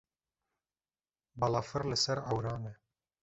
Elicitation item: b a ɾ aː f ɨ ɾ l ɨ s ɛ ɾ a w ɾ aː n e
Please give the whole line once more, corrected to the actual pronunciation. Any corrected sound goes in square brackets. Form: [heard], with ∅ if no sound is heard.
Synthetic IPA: b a [l] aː f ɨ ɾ l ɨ s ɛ ɾ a w ɾ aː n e

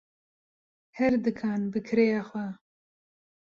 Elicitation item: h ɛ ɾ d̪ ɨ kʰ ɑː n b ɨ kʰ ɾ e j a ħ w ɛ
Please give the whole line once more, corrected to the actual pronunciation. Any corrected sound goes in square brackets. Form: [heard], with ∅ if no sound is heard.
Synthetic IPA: h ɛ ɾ d̪ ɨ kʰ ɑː n b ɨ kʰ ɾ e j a [x] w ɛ

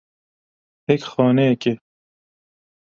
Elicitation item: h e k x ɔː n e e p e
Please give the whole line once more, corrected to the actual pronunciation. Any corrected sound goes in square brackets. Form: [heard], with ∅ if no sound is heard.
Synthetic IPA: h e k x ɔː n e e [k] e

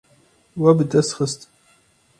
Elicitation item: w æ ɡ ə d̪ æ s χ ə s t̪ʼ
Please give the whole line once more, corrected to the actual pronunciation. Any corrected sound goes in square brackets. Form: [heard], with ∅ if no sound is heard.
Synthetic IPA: w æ [b] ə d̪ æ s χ ə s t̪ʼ

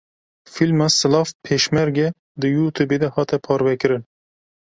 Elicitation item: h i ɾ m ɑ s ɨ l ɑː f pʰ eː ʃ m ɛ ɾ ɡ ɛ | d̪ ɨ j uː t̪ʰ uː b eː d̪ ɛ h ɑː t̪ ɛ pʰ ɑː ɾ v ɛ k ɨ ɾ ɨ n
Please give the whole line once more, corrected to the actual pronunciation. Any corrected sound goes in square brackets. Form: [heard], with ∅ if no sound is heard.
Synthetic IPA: [f] i [l] m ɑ s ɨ l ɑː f pʰ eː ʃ m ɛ ɾ ɡ ɛ | d̪ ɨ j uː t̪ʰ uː b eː d̪ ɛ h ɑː t̪ ɛ pʰ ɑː ɾ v ɛ k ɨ ɾ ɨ n

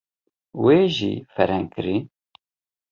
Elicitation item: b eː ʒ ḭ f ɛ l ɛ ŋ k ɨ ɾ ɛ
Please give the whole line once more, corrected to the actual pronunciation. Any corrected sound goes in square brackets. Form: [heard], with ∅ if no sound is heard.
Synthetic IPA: [w] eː ʒ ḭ f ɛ [ɾ] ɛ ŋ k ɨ ɾ [i]

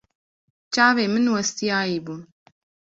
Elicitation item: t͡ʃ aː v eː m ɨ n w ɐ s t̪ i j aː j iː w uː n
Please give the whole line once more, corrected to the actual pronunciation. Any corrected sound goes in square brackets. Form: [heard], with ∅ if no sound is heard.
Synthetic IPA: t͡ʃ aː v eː m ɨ n w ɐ s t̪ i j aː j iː [b] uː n

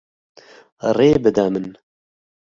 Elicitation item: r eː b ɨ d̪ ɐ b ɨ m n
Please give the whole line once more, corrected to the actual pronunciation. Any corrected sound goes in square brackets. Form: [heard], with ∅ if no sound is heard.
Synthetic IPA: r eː b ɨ d̪ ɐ [m] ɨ [∅] n

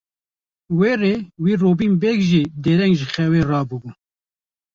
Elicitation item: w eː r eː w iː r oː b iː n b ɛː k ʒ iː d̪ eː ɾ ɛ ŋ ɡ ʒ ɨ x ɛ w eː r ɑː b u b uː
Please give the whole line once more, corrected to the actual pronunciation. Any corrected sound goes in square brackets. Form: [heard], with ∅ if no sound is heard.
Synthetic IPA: w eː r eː w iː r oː b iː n b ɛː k ʒ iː d̪ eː ɾ ɛ ŋ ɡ ʒ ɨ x ɛ w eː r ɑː b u b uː

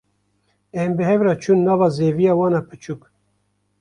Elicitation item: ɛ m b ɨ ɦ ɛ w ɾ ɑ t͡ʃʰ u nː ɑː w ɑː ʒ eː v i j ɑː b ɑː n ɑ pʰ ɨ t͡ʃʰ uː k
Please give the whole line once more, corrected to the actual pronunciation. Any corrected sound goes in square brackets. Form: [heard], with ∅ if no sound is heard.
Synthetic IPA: ɛ m b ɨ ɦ ɛ [v] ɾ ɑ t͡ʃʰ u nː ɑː [v] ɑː [z] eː v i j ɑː [w] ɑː n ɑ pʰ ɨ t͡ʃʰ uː k

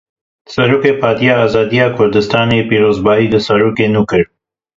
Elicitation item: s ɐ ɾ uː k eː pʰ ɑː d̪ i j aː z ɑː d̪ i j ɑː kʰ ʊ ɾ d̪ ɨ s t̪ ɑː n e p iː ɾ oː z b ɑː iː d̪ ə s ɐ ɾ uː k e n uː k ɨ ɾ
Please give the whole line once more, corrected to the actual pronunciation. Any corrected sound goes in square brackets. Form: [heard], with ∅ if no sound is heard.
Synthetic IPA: s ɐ ɾ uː k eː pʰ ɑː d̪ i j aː z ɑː d̪ i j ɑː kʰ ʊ ɾ d̪ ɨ s t̪ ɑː n e p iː ɾ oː z b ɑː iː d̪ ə s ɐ ɾ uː k e n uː k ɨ ɾ

